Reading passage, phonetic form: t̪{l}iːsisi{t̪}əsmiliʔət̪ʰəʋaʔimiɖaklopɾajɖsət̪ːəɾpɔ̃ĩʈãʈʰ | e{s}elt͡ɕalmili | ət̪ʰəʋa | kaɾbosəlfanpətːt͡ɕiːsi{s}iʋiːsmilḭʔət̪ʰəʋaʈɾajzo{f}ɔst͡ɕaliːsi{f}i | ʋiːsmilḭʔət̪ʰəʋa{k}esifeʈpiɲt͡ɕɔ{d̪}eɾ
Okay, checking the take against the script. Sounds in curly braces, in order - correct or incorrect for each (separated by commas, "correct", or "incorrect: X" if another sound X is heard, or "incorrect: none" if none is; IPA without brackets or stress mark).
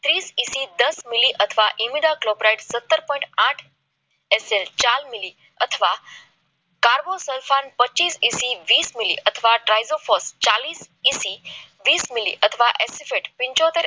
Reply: incorrect: ɾ, incorrect: d̪, correct, correct, correct, incorrect: s, incorrect: ʔ, incorrect: t̪